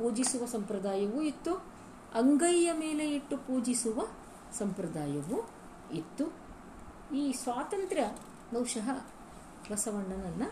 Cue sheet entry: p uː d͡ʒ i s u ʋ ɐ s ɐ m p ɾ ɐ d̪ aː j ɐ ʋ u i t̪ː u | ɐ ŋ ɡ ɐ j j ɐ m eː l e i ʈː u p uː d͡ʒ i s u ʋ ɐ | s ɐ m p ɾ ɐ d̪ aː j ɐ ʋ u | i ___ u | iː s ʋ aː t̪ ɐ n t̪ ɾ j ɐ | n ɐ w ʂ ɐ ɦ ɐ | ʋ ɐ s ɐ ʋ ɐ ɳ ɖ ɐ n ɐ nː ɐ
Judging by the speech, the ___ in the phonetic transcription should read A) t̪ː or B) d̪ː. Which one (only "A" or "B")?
A